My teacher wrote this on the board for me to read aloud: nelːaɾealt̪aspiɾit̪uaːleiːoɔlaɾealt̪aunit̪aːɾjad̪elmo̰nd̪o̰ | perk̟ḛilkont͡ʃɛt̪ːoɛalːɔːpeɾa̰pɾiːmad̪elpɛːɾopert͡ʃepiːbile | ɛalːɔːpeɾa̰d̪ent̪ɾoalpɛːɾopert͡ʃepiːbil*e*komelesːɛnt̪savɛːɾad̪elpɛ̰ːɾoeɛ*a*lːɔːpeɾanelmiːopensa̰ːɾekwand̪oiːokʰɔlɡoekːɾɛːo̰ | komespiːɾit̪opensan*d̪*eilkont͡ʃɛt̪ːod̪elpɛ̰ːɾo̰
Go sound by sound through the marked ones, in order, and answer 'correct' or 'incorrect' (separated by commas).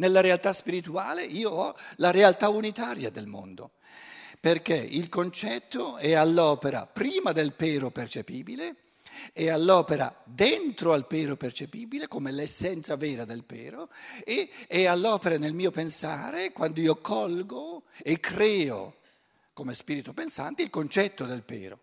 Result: correct, correct, incorrect